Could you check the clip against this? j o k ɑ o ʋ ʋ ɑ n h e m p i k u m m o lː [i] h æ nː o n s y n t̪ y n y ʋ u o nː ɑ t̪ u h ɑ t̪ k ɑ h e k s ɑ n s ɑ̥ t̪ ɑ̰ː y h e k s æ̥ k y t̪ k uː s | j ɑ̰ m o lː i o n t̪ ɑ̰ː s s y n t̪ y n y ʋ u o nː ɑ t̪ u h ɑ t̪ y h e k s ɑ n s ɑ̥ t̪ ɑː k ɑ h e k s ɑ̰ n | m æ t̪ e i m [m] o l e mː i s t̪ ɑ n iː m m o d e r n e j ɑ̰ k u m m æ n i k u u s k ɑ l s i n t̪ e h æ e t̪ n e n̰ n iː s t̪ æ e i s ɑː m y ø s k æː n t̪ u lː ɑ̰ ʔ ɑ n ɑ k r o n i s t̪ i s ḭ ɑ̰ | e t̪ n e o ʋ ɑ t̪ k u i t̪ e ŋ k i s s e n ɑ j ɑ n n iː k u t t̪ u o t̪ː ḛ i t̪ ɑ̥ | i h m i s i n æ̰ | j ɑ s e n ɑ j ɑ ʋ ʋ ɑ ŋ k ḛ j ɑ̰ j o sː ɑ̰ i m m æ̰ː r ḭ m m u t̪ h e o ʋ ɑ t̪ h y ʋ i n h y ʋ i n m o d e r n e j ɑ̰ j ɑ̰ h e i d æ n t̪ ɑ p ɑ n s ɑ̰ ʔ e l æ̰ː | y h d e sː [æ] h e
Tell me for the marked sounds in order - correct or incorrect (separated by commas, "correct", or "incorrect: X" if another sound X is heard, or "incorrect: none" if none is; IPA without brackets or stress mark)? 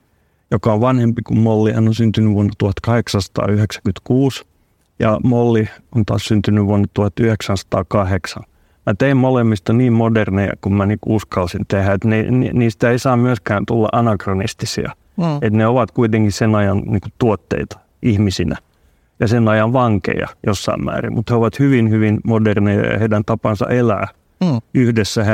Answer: correct, correct, correct